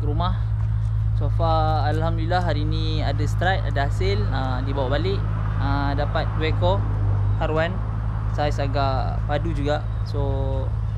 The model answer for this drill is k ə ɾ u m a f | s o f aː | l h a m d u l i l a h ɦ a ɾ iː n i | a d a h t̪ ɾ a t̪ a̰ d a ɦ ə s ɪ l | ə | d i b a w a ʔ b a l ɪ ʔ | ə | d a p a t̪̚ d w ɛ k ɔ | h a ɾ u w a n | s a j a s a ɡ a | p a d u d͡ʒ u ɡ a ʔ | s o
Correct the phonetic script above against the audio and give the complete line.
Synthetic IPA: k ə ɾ u m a h | s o f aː | l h a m d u l i l a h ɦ a ɾ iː n i | a d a s t̪ ɾ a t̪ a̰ d a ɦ a s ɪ l | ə | d i b a w a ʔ b a l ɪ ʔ | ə | d a p a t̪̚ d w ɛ k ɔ | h a ɾ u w a n | s a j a s a ɡ a | p a d u d͡ʒ u ɡ a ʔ | s o